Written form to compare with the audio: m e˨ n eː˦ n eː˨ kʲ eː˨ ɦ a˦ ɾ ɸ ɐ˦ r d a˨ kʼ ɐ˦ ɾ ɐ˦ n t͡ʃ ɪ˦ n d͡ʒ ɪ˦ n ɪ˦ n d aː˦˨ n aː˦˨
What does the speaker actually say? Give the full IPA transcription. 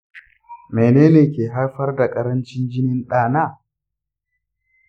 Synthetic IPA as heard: m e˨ n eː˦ n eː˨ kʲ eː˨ ɦ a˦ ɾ ɸ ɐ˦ r d a˨ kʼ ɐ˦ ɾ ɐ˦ n t͡ʃ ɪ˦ n d͡ʒ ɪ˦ n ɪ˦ n ɗ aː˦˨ n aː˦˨

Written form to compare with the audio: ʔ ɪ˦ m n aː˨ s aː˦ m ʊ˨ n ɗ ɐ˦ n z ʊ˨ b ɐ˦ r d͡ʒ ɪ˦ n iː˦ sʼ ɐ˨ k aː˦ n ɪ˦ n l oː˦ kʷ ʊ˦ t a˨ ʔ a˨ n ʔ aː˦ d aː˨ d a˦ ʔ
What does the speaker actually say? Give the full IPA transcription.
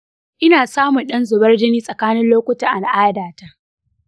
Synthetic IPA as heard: ʔ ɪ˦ n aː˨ s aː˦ m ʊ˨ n ɗ ɐ˦ n z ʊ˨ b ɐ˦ r d͡ʒ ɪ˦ n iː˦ sʼ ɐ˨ k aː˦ n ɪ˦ n l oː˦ kʷ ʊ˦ t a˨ ʔ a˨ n ʔ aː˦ d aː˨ t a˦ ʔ

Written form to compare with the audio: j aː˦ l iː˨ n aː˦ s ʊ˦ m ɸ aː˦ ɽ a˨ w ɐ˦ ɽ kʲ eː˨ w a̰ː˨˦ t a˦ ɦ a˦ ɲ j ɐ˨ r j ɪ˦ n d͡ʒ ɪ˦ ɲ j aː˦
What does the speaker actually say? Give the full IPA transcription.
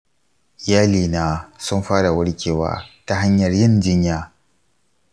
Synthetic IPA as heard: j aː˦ l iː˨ n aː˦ s ʊ˦ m ɸ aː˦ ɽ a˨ w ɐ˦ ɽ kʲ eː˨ w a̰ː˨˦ t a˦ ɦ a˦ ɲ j ɐ˨ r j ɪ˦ n d͡ʒ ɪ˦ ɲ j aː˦

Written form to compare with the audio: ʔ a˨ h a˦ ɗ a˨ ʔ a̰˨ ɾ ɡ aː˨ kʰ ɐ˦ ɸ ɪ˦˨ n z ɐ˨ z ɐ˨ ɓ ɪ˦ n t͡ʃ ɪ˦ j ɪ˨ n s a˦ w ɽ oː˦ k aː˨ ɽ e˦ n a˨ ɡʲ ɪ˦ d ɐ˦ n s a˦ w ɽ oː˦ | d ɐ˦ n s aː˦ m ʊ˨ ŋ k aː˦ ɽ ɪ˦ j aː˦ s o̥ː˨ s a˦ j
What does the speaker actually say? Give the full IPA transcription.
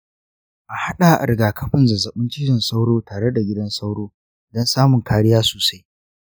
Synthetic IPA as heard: ʔ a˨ h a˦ ɗ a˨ ʔ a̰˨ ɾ ɡ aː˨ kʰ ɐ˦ ɸ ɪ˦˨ n z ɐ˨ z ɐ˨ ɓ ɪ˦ n t͡ʃ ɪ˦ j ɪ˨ n s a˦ w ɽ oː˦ t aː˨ ɽ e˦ d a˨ ɡʲ ɪ˦ d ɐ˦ n s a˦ w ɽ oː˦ | d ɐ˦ n s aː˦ m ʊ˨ ŋ k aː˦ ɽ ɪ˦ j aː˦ s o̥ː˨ s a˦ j

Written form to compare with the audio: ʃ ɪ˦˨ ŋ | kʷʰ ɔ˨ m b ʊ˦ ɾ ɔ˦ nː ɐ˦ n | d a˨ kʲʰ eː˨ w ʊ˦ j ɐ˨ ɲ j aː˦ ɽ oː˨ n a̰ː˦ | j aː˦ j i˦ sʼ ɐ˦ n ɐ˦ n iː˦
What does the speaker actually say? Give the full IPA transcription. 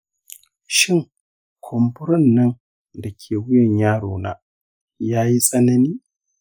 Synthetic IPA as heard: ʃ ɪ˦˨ ŋ | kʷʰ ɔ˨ m b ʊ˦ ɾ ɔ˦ nː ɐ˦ n | d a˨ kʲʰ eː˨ w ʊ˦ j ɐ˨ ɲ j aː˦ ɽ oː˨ n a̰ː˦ | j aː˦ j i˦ sʼ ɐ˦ n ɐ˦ n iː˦

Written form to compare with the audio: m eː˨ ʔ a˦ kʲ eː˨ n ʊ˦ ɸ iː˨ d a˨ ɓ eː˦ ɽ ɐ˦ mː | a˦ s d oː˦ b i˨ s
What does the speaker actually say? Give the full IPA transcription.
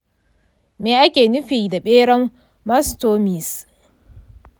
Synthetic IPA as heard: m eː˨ ʔ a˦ kʲ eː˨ n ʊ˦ ɸ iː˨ d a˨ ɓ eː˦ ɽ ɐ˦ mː | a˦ s t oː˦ m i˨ s

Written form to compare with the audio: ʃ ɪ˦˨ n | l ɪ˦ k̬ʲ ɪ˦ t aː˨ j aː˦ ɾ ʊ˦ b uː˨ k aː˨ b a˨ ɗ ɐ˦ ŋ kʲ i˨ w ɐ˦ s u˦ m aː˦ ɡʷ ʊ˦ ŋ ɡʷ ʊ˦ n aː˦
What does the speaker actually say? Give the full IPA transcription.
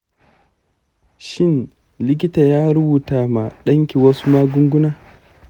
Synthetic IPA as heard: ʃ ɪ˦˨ n | l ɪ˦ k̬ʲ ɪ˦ t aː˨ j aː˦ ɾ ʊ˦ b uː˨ t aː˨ m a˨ ɗ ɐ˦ ŋ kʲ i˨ w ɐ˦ s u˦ m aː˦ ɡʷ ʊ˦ ŋ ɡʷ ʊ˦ n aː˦

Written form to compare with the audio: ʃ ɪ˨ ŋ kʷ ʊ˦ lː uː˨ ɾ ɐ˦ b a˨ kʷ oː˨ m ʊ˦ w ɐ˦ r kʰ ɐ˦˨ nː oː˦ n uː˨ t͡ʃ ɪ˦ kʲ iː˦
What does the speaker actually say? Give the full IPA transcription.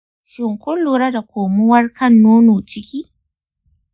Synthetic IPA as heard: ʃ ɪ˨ ŋ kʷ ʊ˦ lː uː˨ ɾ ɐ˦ d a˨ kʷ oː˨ m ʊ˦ w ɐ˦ r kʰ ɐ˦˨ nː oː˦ n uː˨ t͡ʃ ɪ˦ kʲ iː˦

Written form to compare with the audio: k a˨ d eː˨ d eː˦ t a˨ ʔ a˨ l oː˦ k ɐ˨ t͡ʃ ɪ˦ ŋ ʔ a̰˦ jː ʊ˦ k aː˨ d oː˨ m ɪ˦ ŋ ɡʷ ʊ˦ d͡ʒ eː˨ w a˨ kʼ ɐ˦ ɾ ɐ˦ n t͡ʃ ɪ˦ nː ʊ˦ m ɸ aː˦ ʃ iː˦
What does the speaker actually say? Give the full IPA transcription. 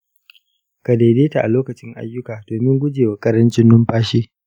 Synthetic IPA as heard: k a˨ d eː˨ d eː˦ t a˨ ʔ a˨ l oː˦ k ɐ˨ t͡ʃ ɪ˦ ŋ ʔ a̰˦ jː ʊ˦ k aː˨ d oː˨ m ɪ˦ ŋ ɡʷ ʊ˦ d͡ʒ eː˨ w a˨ kʼ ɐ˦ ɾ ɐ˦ n t͡ʃ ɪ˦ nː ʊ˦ m ɸ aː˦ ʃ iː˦

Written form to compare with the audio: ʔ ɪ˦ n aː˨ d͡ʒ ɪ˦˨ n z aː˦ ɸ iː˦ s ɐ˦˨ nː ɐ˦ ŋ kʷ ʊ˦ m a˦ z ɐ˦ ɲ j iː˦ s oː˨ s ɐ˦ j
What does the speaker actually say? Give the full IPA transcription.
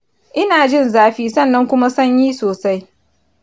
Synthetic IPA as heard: ʔ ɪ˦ n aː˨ d͡ʒ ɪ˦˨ n z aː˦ ɸ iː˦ s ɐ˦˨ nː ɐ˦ ŋ kʷ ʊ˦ m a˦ s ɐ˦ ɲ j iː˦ s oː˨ s a˦ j

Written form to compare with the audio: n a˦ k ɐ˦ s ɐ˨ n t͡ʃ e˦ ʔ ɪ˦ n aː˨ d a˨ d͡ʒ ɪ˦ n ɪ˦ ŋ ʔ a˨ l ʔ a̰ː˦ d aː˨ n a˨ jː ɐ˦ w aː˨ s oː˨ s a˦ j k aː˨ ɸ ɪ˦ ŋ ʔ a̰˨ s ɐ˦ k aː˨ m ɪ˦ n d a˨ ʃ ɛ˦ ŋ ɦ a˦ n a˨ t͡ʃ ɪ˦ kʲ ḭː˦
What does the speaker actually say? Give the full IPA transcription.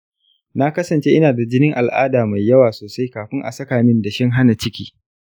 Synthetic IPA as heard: n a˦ k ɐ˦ s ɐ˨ n t͡ʃ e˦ ʔ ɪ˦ n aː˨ d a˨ d͡ʒ ɪ˦ n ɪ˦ ŋ ʔ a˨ l ʔ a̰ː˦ d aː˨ m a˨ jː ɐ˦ w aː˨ s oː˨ s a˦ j k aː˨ ɸ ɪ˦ ŋ ʔ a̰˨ s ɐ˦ k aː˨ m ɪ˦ n d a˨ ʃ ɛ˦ ŋ ɦ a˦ n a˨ t͡ʃ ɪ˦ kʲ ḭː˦

